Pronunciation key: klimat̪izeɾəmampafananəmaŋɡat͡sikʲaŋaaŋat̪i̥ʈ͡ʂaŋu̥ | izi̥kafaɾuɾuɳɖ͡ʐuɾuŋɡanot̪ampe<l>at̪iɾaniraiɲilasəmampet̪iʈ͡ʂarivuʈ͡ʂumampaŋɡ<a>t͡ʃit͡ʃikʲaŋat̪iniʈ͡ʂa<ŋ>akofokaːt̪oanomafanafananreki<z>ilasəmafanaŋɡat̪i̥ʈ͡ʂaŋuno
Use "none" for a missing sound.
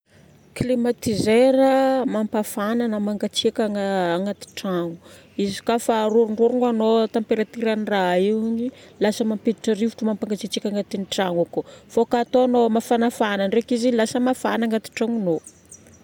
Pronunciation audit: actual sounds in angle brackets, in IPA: ɾ, a, ŋ, z

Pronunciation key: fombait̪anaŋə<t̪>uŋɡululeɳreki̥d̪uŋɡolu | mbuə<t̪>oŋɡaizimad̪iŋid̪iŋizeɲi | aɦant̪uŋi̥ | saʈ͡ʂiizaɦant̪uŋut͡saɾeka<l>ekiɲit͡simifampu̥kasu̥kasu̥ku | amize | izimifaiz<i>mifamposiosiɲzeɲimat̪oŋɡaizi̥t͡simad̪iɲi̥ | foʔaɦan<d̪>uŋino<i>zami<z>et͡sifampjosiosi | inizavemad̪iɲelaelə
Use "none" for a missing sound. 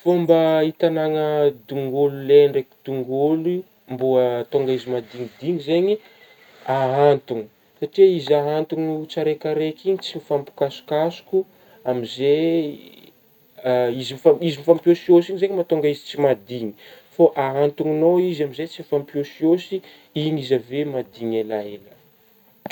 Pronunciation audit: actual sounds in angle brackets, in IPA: d̪, t̪, ɾ, i, t̪, i, z

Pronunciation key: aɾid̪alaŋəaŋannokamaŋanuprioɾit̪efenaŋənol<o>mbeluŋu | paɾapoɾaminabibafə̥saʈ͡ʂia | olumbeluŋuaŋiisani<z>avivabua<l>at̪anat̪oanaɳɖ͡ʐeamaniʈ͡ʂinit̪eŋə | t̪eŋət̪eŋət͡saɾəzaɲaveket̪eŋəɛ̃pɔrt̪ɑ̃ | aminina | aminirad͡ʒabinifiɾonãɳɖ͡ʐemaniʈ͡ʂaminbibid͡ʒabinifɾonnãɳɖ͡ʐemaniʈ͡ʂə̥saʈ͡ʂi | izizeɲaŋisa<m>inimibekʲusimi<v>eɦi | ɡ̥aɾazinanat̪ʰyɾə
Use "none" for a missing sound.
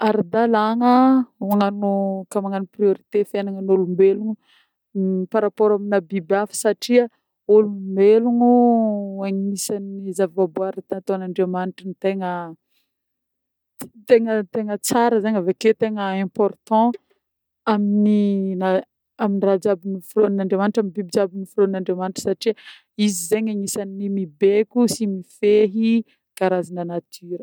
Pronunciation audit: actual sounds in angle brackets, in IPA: u, z, ɾ, n, f

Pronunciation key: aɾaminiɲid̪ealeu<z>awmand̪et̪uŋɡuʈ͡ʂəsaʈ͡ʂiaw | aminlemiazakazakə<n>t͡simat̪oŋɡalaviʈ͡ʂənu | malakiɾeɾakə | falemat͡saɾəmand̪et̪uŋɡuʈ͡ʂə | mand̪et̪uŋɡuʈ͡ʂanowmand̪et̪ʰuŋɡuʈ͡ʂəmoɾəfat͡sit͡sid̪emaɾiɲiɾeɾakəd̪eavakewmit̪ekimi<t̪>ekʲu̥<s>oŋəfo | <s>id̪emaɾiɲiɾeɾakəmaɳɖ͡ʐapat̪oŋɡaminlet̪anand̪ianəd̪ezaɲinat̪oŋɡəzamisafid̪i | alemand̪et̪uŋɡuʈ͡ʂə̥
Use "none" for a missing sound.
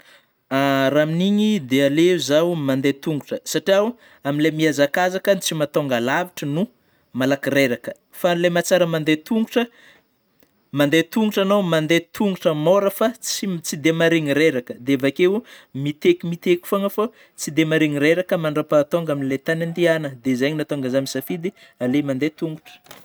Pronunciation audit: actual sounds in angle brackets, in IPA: z, n, t̪, f, t͡s

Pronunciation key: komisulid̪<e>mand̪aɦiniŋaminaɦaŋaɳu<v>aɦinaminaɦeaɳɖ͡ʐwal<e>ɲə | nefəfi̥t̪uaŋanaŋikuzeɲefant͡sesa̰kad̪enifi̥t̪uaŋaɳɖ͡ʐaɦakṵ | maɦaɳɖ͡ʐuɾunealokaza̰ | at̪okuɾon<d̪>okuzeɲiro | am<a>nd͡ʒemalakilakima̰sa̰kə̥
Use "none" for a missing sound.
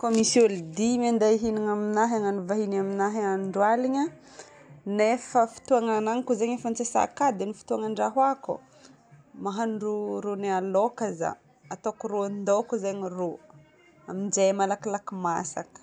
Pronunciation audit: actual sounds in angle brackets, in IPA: i, v, i, d̪, i

